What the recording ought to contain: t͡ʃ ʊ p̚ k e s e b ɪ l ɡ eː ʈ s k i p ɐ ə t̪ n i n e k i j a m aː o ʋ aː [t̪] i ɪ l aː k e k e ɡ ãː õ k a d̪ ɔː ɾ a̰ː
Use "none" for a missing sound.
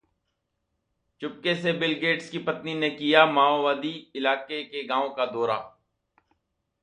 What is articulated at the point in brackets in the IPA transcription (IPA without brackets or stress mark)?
d̪